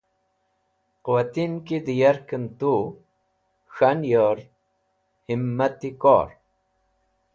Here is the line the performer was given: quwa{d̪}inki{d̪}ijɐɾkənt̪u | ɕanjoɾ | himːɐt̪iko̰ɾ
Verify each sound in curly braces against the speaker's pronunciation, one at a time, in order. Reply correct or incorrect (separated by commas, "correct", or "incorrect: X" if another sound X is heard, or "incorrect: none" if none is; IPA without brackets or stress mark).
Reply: incorrect: t̪, correct